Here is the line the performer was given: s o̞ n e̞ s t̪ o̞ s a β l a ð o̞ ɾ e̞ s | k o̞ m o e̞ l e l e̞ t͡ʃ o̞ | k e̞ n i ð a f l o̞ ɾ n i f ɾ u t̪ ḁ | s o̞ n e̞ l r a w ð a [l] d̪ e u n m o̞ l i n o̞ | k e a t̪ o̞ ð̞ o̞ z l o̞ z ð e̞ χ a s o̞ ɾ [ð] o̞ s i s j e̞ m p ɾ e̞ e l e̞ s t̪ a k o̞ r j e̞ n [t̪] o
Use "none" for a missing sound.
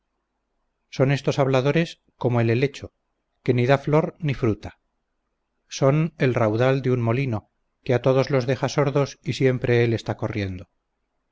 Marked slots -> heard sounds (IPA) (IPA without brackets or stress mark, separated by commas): l, ð, d̪